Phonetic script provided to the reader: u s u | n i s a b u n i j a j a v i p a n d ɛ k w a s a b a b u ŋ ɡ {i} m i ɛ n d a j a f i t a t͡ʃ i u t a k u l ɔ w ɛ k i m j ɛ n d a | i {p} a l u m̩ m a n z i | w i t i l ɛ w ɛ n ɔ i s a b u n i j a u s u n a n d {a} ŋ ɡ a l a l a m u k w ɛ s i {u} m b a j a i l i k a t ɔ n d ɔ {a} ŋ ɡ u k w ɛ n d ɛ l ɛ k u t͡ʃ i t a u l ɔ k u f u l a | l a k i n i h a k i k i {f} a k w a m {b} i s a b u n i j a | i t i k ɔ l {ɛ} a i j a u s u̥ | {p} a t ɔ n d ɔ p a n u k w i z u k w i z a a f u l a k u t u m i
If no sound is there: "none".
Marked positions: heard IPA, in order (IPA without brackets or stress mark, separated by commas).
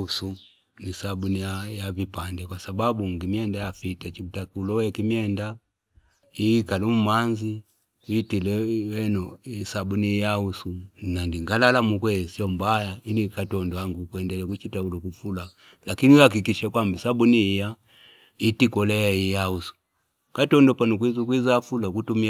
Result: i, k, i, ɔ, a, ʃ, b, ɛ, k